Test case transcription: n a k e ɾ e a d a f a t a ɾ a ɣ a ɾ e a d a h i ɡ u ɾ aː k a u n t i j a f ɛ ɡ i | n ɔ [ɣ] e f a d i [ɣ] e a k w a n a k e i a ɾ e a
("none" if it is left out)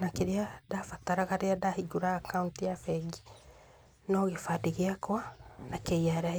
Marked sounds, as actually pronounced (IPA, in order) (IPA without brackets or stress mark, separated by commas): ɣ, ɣ